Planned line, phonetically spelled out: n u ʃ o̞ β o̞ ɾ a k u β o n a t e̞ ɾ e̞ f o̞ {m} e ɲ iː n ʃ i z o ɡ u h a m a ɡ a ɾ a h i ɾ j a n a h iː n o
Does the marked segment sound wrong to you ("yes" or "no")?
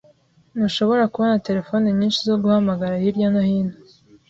yes